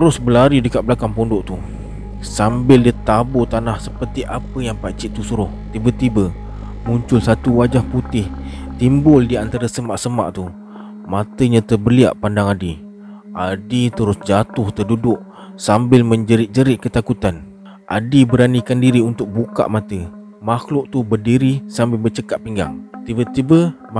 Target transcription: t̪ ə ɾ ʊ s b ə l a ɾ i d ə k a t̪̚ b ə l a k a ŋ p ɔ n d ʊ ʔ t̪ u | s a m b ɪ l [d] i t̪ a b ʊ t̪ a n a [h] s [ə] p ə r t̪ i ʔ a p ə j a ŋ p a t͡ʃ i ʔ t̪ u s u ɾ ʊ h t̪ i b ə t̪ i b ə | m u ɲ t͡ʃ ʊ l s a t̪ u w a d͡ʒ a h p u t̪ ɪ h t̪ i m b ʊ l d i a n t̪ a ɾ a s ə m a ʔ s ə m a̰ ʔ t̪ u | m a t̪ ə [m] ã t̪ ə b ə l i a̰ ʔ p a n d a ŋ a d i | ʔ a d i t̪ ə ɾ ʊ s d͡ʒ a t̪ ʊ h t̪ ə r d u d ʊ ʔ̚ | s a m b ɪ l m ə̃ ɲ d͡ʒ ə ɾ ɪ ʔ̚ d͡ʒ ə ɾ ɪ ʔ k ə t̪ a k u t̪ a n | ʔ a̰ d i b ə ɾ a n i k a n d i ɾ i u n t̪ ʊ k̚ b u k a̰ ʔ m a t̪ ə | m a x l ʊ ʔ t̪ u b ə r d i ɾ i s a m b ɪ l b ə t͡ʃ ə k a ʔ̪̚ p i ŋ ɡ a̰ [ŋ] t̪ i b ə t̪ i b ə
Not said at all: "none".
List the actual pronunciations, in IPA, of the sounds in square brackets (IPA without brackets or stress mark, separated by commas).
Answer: d, h, ə, ɲ, ŋ